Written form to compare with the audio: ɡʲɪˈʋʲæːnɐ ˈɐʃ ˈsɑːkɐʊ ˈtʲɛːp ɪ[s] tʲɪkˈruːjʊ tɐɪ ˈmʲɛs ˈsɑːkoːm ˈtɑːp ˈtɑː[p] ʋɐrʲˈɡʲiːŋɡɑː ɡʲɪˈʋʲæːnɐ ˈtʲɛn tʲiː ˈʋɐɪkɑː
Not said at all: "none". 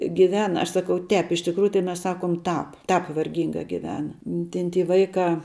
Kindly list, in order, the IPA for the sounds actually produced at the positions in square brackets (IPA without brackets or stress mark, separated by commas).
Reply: ʃ, p